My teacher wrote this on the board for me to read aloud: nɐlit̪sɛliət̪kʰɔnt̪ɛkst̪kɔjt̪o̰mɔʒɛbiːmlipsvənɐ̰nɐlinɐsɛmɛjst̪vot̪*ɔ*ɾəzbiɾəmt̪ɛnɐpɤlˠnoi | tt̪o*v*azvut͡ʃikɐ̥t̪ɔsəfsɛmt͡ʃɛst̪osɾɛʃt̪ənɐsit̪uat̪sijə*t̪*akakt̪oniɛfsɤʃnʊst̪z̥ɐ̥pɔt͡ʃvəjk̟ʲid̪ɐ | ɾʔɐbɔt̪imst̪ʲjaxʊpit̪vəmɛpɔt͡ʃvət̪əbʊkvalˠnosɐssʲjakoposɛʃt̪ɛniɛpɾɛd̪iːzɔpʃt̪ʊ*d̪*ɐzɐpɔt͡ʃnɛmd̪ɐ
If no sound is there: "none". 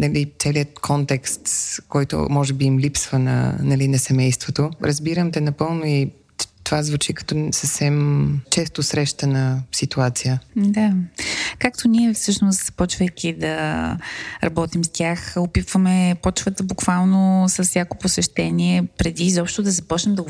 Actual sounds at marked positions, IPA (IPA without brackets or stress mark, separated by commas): o, v, d̪, d̪